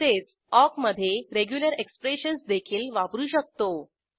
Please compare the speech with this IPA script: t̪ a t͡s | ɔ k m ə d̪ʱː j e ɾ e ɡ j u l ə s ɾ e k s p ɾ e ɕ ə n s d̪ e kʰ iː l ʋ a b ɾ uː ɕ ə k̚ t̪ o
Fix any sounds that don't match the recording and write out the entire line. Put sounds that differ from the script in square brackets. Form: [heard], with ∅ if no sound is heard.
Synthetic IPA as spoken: t̪ [e] t͡s | ɔ k m ə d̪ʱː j e ɾ e ɡ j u l ə [∅] ɾ e k s p ɾ e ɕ ə n s d̪ e kʰ iː l ʋ a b ɾ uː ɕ ə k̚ t̪ o